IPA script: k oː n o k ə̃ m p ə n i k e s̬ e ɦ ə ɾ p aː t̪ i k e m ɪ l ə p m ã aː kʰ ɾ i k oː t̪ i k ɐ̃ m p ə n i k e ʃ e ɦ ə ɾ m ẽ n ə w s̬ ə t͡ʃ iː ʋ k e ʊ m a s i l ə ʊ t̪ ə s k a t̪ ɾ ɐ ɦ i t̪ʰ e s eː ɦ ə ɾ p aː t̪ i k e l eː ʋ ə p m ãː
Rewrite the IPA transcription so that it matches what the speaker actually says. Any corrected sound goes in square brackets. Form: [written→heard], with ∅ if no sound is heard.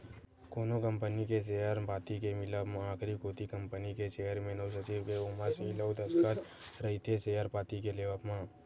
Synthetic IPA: k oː n o k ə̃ m p ə n i k e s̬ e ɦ ə ɾ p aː t̪ i k e m ɪ l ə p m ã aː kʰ ɾ i k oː t̪ i k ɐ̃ m p ə n i k e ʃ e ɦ ə ɾ m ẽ n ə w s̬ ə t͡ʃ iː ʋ k e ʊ m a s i l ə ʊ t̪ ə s k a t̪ ɾ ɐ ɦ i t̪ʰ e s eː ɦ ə ɾ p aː t̪ i k e l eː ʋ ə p m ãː